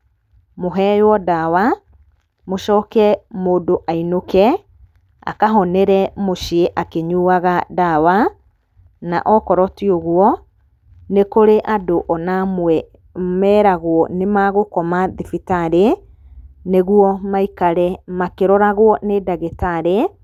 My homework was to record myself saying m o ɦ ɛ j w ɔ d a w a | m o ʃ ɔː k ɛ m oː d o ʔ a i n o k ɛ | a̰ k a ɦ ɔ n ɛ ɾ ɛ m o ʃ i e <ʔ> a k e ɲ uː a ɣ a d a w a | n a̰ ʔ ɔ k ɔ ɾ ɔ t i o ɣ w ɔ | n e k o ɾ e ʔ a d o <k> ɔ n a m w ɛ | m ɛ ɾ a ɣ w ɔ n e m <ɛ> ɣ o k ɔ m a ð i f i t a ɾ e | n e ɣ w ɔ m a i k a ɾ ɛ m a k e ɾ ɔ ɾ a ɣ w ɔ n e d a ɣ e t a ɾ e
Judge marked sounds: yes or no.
yes, no, no

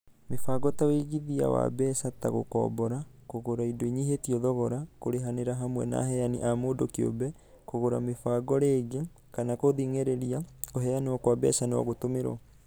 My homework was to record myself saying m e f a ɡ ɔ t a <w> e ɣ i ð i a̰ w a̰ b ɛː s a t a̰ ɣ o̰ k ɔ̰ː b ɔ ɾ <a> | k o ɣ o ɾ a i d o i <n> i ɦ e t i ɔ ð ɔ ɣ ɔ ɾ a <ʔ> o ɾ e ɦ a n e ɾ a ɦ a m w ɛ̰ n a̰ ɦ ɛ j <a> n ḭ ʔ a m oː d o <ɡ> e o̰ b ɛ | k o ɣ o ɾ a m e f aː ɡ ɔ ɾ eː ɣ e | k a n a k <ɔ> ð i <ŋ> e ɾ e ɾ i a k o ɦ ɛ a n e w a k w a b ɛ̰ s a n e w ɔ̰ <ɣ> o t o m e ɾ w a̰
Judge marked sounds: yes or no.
yes, yes, no, no, yes, no, no, yes, yes

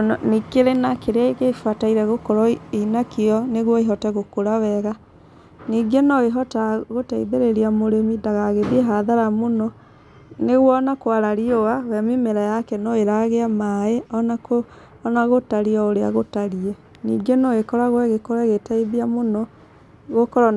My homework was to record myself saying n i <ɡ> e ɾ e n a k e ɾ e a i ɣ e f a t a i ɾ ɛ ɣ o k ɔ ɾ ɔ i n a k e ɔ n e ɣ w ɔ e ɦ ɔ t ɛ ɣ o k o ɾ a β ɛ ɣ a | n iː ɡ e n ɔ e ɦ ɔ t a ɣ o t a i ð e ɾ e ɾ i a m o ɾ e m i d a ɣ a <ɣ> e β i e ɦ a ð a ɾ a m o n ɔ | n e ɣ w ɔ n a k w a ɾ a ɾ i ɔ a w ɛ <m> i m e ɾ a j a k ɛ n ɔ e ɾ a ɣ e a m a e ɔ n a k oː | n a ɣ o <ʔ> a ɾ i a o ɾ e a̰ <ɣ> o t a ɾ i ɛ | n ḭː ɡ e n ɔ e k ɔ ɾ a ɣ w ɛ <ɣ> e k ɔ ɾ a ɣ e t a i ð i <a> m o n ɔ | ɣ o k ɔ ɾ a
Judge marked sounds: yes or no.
no, yes, yes, no, yes, yes, yes

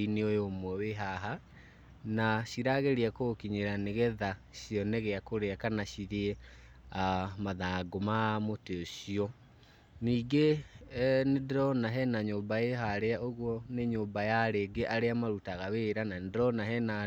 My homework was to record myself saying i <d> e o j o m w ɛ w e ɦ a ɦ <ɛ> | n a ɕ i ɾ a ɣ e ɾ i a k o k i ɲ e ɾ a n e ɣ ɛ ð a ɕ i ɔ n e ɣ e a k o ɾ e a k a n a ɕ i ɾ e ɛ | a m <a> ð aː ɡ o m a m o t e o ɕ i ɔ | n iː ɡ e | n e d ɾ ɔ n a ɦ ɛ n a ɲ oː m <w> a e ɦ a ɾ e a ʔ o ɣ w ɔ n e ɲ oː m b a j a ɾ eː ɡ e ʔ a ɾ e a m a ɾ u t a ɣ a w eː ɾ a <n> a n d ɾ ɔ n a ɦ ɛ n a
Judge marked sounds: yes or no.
no, no, yes, no, yes

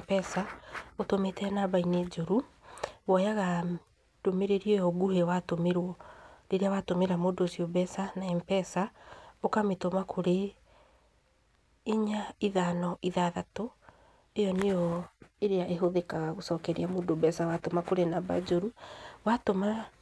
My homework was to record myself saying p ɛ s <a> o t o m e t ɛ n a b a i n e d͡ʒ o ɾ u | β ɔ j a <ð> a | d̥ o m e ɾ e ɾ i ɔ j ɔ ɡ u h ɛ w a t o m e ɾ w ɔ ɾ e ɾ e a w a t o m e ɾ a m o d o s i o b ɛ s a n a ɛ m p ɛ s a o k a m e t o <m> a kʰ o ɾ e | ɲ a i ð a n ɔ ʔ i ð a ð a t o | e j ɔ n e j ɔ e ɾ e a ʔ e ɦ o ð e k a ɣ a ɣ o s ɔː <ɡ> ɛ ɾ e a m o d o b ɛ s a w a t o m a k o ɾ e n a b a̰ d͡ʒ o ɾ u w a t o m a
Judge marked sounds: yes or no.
yes, no, yes, no

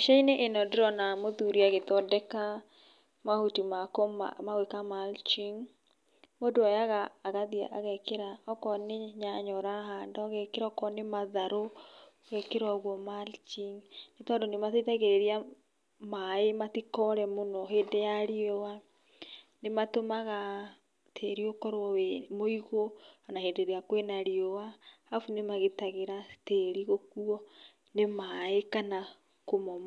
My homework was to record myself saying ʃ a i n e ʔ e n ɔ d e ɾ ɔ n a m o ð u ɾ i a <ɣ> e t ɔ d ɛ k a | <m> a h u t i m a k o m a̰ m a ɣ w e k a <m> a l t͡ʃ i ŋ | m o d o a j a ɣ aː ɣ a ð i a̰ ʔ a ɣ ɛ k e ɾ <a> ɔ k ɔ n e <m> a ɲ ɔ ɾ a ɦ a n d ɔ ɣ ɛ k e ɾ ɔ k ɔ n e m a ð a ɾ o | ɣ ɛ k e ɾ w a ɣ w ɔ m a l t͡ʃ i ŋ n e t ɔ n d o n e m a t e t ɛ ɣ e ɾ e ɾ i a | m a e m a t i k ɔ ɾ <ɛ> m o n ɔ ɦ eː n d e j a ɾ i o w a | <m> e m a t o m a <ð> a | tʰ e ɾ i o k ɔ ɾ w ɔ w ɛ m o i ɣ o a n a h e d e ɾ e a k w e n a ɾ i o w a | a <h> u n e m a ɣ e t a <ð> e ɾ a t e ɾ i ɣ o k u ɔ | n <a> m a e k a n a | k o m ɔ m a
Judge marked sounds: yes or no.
yes, yes, yes, yes, no, yes, no, no, no, no, no

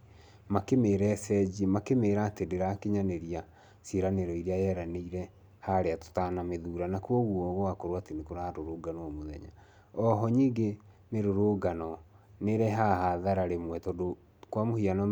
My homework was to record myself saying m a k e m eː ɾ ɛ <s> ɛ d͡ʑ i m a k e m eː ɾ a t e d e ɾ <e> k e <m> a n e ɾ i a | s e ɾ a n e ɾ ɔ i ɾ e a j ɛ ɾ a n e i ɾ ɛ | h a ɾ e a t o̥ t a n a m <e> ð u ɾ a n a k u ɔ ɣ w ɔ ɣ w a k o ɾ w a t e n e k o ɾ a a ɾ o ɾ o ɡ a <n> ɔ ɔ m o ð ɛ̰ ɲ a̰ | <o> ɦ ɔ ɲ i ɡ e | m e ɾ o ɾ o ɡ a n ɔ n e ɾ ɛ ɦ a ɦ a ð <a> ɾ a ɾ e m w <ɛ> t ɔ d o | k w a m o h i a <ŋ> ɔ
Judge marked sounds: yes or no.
yes, no, no, yes, yes, no, yes, yes, no

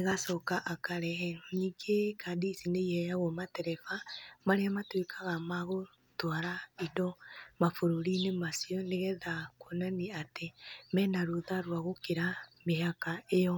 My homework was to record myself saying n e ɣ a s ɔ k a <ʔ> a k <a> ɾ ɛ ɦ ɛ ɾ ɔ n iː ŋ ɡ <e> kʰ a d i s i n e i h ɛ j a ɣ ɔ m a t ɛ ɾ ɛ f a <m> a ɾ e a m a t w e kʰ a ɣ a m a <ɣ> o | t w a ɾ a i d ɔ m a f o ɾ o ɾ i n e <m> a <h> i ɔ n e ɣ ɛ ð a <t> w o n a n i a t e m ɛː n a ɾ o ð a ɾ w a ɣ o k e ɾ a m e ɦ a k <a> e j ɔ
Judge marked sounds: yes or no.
yes, yes, yes, yes, yes, yes, no, no, yes

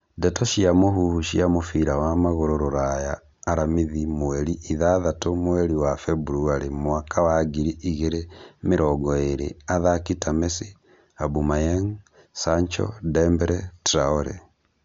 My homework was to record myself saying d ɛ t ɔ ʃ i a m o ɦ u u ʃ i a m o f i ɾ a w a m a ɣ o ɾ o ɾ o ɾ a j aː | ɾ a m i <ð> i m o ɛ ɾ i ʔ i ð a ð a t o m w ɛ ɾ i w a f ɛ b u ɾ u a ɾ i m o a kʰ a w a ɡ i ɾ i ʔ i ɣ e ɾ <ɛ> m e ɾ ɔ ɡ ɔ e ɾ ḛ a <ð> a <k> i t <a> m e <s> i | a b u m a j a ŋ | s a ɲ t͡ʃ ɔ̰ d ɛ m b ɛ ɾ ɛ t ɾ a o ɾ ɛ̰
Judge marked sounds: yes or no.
yes, no, yes, yes, yes, yes

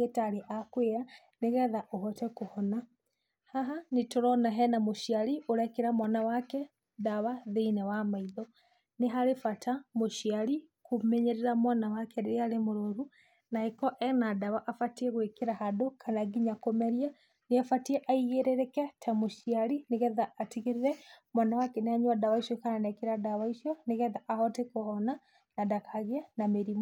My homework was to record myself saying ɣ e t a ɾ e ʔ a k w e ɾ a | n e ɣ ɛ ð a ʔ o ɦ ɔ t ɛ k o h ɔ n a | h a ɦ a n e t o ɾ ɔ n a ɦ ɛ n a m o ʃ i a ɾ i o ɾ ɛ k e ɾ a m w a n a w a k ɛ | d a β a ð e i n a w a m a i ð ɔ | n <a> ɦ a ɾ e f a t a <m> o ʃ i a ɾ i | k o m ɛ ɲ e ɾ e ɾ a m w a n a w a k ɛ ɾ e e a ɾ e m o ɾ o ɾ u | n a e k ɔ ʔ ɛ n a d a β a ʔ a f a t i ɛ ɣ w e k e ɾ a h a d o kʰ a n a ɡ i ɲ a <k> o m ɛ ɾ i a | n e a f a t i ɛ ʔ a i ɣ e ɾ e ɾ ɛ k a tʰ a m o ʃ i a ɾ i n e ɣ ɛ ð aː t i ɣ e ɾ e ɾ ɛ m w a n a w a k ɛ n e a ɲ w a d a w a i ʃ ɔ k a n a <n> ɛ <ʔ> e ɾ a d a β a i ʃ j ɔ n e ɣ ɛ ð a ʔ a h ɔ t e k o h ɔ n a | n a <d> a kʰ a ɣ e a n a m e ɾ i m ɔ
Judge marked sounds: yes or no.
no, yes, yes, yes, no, yes

